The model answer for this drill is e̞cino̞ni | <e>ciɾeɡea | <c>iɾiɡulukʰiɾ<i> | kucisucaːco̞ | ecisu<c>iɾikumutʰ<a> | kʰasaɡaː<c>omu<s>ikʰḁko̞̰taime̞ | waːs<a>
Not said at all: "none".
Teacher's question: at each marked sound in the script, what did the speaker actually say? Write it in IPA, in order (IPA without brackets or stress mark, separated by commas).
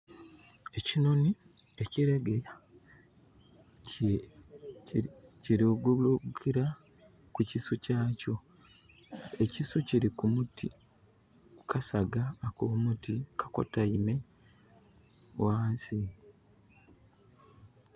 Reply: e, c, a, c, i, k, t, i